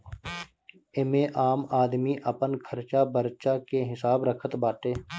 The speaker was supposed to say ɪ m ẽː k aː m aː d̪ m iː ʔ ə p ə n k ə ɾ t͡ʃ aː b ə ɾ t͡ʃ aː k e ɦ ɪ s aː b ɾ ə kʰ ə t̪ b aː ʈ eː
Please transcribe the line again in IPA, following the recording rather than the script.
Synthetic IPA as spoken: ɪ m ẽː ʔ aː m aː d̪ m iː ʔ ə p ə n kʰ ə ɾ t͡ʃ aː b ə ɾ t͡ʃ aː k e ɦ ɪ s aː b ɾ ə kʰ ə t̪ b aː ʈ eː